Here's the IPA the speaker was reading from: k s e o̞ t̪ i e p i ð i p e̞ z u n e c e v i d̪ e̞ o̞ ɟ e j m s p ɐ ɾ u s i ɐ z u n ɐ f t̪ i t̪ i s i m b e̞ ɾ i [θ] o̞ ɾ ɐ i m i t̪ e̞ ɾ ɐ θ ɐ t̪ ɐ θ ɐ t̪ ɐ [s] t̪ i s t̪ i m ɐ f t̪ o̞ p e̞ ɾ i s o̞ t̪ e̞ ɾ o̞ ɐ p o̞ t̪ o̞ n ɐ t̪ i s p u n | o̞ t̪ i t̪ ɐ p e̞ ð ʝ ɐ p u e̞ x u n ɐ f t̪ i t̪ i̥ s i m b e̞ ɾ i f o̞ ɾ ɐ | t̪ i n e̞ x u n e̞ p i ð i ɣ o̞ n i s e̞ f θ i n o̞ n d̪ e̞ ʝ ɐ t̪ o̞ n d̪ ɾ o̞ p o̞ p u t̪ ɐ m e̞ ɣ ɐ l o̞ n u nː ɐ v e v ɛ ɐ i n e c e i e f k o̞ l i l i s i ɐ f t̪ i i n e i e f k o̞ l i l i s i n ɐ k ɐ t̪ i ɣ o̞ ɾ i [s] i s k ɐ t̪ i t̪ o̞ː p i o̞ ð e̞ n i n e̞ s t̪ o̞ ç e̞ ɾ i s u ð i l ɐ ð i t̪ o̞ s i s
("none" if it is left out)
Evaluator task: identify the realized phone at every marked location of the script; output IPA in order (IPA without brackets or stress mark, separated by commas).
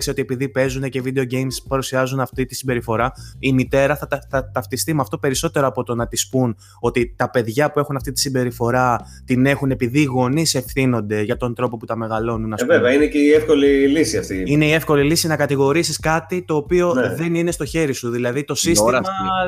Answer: f, f, s